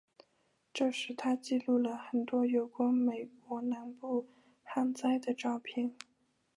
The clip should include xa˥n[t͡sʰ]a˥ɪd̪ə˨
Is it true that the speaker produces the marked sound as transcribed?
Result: no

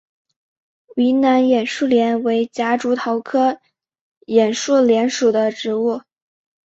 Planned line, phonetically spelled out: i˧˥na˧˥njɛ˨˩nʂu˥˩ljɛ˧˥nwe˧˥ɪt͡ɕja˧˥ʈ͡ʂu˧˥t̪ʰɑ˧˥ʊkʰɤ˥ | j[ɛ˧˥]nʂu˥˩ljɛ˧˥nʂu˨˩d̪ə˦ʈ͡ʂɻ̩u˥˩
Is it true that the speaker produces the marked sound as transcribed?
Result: no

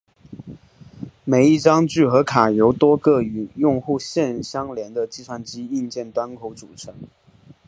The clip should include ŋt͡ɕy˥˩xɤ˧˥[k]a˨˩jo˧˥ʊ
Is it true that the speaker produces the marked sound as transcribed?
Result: no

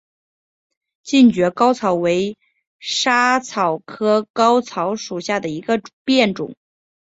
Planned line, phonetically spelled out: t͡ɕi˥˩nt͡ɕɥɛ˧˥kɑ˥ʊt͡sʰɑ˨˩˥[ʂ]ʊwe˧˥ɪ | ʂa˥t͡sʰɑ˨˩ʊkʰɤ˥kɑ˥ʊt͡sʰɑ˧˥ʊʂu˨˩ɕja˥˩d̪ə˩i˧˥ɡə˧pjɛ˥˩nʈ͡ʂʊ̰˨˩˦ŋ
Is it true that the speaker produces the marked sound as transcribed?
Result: no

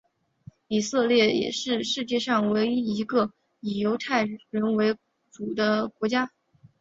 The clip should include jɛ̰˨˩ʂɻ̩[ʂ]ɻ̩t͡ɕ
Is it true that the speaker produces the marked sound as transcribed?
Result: yes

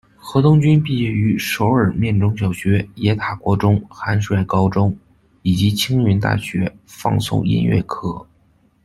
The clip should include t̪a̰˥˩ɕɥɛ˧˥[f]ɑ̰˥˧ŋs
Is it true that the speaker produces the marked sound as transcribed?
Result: yes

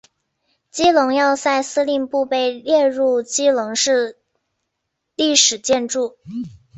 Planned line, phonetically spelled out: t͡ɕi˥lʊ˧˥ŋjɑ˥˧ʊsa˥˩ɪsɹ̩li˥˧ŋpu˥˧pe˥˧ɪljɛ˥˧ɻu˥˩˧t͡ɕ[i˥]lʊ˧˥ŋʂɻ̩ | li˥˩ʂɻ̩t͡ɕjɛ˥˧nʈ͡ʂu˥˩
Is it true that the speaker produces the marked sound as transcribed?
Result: yes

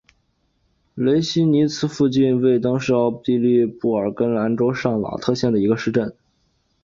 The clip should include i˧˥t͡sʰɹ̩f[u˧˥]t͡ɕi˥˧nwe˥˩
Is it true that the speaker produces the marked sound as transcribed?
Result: no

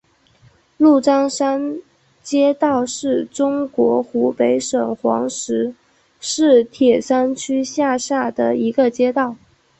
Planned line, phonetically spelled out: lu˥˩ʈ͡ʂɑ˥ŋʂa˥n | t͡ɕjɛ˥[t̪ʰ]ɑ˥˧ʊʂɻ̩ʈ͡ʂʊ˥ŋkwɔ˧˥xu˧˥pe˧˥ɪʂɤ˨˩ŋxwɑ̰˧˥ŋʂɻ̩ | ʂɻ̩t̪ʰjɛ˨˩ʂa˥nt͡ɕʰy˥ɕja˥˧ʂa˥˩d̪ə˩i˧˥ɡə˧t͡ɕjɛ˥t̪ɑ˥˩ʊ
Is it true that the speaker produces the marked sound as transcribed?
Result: no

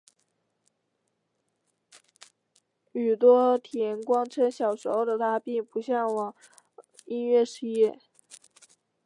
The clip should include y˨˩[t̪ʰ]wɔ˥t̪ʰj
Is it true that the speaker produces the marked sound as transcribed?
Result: no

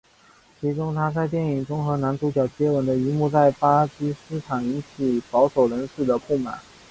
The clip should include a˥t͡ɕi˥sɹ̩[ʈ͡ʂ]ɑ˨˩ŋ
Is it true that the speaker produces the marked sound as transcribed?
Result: no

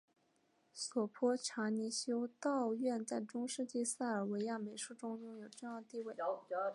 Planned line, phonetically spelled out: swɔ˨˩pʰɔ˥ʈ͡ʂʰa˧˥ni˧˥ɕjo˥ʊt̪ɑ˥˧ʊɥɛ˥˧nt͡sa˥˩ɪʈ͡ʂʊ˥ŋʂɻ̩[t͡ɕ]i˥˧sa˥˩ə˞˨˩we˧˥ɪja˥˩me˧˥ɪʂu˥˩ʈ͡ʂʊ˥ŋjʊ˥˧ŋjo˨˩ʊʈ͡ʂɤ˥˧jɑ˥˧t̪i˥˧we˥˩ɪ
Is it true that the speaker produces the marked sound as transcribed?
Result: yes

